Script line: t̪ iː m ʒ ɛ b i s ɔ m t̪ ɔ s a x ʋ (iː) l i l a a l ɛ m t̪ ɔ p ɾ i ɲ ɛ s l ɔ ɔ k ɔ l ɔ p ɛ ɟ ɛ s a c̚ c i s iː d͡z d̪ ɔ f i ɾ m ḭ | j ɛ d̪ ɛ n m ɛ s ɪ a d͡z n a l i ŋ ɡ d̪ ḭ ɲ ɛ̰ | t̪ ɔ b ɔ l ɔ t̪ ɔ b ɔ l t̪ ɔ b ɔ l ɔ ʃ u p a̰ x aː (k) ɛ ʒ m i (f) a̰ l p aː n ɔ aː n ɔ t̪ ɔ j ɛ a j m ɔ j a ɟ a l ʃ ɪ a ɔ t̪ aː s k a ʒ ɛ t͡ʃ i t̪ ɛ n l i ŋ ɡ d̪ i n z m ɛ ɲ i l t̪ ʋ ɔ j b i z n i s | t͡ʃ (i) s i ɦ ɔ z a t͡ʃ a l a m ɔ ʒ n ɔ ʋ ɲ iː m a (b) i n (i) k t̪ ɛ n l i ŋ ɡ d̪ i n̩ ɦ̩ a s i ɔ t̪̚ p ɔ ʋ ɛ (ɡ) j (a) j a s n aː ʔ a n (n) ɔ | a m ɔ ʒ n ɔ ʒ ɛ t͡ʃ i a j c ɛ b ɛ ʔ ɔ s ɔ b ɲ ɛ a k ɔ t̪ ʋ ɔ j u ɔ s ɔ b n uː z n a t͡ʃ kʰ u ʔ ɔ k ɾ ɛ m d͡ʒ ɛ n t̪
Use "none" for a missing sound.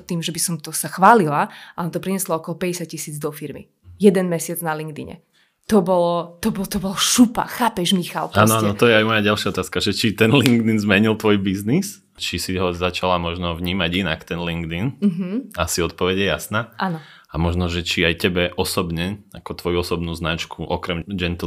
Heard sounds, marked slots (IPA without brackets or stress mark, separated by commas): aː, p, x, i, ɟ, a, ɟ, ɛ, n